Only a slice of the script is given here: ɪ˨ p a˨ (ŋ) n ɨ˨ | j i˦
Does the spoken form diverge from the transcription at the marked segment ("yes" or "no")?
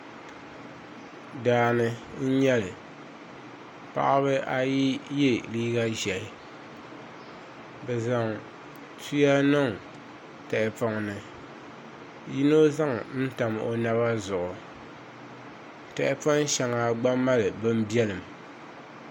no